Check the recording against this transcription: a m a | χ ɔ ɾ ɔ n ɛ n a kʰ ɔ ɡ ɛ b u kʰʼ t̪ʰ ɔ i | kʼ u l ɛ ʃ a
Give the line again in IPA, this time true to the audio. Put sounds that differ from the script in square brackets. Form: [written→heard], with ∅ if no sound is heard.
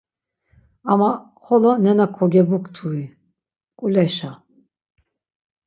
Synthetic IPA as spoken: a m a | χ ɔ [ɾ→l] ɔ n ɛ n a kʰ ɔ ɡ ɛ b u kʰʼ t̪ʰ [ɔ→u] i | kʼ u l ɛ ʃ a

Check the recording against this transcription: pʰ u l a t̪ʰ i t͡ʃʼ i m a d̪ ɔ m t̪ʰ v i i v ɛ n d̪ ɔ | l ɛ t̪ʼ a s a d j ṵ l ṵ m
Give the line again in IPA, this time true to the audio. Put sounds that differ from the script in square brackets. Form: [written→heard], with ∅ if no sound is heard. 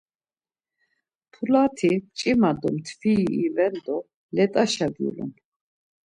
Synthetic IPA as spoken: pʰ u l a t̪ʰ i t͡ʃʼ i m a d̪ ɔ m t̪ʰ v i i v ɛ n d̪ ɔ | l ɛ t̪ʼ a [s→ʃ] a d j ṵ l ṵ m

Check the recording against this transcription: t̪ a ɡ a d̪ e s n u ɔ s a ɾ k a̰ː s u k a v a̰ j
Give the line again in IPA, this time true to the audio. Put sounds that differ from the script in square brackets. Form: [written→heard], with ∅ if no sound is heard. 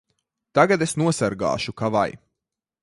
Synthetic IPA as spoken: t̪ a ɡ a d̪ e s n u ɔ s a ɾ [k→ɡ] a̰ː [s→ʃ] u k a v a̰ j

